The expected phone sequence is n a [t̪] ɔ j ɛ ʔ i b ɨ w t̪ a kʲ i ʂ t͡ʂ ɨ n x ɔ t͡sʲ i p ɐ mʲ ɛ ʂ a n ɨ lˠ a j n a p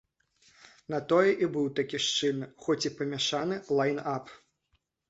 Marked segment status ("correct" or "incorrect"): correct